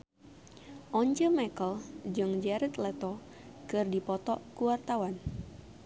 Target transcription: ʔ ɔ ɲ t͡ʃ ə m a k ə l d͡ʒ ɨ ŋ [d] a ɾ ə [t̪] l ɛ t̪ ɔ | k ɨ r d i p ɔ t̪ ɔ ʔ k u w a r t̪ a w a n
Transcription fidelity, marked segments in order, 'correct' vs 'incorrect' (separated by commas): incorrect, correct